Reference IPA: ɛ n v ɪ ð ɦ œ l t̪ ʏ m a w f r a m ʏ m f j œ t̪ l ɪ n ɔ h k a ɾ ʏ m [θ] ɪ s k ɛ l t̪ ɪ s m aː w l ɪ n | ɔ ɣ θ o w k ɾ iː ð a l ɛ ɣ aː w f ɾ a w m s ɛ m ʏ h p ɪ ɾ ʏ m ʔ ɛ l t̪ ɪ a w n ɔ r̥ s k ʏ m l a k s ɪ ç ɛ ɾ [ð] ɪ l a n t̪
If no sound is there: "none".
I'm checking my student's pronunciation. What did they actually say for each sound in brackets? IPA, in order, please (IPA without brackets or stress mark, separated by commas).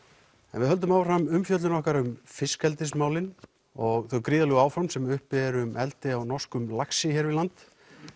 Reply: f, v